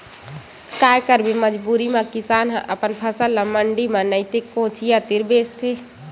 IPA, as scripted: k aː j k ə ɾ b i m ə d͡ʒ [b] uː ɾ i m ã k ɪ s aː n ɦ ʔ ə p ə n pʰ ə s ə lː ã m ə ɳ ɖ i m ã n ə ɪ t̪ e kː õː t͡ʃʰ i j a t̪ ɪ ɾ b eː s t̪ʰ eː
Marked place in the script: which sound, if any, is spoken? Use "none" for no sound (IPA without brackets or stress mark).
b